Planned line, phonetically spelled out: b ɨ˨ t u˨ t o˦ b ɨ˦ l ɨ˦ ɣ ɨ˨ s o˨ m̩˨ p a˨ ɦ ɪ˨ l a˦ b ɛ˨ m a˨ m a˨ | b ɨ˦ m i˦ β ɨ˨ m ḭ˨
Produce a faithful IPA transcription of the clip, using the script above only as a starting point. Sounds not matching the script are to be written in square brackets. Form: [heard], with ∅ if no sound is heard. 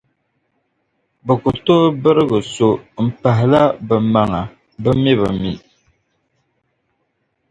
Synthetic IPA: b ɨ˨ [k] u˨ t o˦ b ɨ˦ [ɾ] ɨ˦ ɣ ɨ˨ s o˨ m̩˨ p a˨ ɦ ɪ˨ l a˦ b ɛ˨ m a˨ [ŋ] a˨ | b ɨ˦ m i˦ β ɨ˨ m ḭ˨

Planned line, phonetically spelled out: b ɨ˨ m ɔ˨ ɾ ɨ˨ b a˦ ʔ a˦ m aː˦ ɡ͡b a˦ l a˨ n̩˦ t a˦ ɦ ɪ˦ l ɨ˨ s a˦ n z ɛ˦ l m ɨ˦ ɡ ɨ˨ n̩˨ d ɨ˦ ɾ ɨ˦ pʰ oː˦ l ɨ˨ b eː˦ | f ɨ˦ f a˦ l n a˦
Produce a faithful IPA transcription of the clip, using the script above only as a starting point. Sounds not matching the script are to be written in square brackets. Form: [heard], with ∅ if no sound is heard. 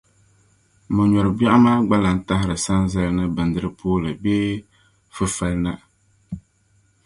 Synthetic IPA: [m] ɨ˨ [ɲ] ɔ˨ ɾ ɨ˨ b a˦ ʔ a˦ m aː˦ ɡ͡b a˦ l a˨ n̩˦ t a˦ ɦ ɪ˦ [ɾ] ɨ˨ s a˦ n z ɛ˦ l [n] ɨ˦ [b] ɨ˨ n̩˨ d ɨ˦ ɾ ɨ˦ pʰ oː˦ l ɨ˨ b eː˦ | f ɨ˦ f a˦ l n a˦

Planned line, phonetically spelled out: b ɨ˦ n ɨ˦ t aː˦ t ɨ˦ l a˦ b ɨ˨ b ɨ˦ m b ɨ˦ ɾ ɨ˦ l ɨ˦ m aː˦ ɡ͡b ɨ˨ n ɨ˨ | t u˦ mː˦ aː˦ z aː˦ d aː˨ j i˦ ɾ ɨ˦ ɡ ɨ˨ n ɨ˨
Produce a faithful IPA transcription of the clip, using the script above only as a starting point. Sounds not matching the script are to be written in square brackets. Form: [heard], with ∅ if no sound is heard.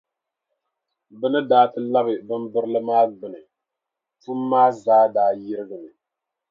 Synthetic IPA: b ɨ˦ n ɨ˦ [d] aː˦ t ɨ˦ l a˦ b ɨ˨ b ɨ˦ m b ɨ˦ ɾ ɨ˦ l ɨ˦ m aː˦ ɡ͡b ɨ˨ n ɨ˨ | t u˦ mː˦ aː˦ z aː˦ d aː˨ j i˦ ɾ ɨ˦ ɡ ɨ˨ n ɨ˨

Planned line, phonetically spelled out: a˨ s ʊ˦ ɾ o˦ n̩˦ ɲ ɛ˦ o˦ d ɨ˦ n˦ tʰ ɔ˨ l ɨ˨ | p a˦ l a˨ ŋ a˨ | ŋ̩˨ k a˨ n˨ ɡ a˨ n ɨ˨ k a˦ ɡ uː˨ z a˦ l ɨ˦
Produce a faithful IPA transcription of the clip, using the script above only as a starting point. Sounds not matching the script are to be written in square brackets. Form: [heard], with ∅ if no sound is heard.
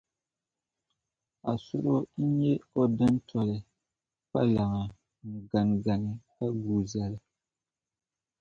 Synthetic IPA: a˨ s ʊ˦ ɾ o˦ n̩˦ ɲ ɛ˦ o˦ d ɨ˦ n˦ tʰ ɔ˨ l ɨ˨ | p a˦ l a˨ ŋ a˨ | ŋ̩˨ [ɡ] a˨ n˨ ɡ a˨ n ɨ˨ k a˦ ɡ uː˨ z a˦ l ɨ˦

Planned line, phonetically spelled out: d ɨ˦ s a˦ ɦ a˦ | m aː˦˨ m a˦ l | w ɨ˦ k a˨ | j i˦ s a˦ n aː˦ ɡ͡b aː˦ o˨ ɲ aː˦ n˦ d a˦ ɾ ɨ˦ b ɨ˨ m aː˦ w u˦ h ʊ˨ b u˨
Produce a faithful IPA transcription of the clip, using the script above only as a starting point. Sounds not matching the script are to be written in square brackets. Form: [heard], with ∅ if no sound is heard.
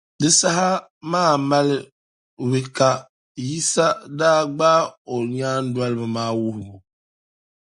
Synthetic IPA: d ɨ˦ s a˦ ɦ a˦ | m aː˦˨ m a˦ l | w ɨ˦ k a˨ | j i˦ s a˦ [d] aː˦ ɡ͡b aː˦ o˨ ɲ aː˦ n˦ d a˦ [l] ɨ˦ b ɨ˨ m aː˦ w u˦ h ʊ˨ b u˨

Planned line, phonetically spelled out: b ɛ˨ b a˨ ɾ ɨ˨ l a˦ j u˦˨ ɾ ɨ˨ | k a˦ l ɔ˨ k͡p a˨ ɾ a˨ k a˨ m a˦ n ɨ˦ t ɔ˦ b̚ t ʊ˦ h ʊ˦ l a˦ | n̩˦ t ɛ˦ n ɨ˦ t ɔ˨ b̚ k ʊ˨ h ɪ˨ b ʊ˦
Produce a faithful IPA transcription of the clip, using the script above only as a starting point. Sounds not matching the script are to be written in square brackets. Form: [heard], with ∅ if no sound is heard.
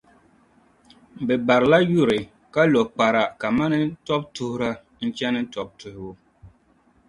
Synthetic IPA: b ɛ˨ b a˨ ɾ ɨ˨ l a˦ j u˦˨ ɾ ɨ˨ | k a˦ l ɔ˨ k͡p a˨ ɾ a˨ k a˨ m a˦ n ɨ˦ t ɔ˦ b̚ t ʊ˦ h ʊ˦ [ɾ] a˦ | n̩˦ [t͡ʃ] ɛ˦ n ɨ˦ t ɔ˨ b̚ [t] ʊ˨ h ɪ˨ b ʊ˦

